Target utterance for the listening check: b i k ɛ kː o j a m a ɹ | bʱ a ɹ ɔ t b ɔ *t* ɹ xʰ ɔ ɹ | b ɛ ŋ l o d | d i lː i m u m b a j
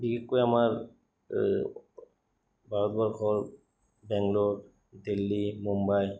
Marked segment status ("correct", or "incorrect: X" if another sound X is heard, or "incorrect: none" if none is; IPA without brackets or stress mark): incorrect: none